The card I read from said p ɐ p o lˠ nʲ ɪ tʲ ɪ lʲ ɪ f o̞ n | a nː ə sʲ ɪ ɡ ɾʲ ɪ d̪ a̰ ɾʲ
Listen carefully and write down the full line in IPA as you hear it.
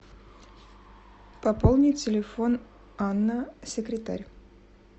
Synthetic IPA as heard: p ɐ p o lˠ nʲ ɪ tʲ ɪ lʲ ɪ f o̞ n | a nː ə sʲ ɪ k ɾʲ ɪ t̪ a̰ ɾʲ